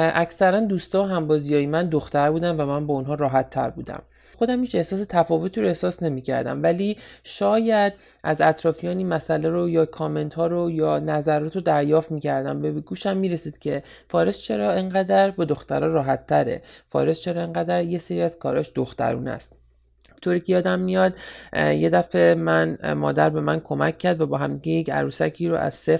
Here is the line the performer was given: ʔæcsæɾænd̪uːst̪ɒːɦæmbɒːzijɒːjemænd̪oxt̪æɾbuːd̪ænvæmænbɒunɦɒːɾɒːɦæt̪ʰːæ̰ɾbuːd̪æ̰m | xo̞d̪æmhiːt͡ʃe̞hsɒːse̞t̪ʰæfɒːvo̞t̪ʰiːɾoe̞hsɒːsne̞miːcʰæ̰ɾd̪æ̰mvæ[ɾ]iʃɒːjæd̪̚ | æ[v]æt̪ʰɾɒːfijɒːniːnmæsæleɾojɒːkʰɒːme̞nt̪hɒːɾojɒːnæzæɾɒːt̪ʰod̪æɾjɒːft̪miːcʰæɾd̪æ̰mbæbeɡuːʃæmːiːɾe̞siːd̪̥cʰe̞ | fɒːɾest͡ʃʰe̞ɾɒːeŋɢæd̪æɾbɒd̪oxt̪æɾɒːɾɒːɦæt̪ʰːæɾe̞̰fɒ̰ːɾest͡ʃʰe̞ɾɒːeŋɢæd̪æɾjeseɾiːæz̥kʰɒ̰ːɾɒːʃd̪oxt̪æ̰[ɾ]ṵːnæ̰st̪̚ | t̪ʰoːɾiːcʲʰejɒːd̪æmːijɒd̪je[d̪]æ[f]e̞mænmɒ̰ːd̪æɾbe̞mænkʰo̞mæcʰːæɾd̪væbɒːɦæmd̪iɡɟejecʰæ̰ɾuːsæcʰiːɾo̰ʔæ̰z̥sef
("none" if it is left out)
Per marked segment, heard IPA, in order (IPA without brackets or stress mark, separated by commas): l, z, ɾ, d̪, f